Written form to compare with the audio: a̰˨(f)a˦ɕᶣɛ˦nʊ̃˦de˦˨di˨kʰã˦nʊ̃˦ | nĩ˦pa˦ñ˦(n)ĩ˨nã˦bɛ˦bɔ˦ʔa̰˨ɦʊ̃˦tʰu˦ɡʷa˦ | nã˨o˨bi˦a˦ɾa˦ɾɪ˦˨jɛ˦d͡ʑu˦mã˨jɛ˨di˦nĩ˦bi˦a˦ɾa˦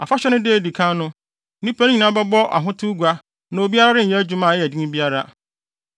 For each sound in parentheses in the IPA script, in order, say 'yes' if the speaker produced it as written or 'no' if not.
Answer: yes, no

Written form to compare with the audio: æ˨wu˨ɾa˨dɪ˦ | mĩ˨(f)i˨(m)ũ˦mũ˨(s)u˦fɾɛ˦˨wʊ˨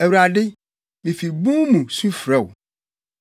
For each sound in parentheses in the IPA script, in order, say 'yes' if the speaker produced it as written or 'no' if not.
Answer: yes, no, yes

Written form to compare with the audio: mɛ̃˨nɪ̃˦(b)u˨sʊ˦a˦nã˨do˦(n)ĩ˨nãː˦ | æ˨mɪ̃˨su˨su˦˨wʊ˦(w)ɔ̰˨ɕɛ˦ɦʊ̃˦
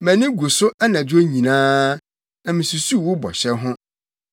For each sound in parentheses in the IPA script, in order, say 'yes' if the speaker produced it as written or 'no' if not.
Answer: no, no, no

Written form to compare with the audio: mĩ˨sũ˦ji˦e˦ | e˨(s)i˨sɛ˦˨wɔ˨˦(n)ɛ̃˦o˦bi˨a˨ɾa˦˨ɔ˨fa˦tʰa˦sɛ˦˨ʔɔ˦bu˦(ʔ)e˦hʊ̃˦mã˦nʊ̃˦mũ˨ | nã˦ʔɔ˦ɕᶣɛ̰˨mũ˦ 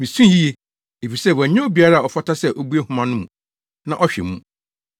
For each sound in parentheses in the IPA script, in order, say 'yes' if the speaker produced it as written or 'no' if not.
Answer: no, no, no

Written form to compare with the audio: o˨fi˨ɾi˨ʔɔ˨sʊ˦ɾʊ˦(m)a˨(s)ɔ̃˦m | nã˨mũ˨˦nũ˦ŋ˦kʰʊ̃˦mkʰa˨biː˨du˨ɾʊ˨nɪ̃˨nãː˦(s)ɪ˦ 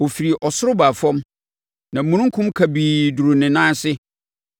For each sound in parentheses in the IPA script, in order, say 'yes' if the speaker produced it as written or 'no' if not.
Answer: no, no, yes

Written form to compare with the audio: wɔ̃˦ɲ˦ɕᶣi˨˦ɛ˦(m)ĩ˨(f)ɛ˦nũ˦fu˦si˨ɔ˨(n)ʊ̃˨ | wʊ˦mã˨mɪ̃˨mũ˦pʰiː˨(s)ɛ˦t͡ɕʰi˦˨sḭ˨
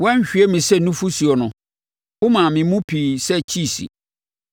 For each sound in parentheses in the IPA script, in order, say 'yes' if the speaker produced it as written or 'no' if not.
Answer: yes, no, yes, yes

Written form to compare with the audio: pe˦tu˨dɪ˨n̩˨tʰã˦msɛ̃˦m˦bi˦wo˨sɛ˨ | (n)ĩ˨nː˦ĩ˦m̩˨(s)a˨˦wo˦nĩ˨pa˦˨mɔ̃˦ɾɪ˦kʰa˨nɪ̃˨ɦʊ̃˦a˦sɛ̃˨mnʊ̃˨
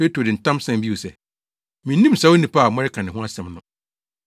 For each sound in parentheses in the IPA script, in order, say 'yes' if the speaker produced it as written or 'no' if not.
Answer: no, yes

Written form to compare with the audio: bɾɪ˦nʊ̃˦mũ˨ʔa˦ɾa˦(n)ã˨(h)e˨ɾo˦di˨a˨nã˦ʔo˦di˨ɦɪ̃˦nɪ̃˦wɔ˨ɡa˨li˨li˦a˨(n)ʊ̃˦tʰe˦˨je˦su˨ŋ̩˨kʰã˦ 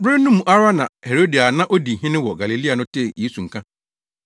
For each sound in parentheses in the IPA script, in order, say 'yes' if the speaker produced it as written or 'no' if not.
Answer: yes, yes, yes

